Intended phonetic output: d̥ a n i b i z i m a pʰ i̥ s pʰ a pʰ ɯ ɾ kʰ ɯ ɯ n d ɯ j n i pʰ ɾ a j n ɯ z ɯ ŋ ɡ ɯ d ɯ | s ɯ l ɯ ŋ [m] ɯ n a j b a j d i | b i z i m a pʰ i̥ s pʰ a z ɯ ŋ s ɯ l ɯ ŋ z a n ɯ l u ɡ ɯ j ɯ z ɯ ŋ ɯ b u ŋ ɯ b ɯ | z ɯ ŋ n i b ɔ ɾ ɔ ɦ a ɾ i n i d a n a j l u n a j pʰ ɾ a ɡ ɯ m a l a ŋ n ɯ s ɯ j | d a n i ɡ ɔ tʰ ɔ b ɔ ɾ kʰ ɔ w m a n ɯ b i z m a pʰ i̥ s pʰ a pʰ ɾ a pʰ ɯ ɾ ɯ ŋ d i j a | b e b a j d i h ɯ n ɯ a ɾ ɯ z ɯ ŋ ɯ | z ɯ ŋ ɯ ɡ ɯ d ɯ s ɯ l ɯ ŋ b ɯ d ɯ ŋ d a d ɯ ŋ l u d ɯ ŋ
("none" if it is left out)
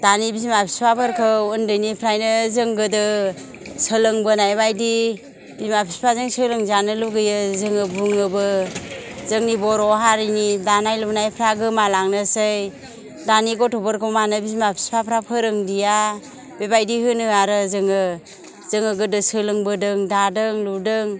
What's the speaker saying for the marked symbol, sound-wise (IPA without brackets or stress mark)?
b